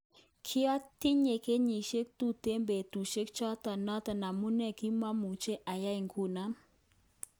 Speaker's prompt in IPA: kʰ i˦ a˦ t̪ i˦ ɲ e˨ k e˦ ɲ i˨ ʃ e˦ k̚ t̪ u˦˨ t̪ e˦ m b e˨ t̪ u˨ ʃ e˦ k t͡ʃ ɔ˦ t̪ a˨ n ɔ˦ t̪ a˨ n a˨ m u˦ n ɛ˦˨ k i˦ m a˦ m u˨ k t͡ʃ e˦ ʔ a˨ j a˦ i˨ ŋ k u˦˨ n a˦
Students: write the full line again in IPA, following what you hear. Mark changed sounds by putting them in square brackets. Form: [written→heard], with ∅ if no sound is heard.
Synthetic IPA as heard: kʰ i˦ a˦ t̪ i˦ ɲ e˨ k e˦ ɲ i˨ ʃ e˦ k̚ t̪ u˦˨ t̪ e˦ m b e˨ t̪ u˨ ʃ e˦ k t͡ʃ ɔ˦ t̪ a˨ n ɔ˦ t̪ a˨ n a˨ m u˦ n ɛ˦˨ k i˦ m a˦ m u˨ [k→∅] t͡ʃ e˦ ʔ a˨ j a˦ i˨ ŋ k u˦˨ n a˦

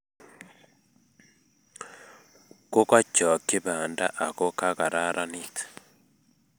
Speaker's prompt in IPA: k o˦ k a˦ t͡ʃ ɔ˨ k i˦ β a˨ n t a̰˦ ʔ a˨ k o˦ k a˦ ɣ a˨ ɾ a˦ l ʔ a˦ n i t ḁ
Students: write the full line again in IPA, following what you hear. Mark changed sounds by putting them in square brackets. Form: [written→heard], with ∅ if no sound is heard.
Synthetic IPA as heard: k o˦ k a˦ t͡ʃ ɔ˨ k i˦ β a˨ n [t→d] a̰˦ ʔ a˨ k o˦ k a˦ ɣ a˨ ɾ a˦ [l→ɾ] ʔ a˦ n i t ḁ

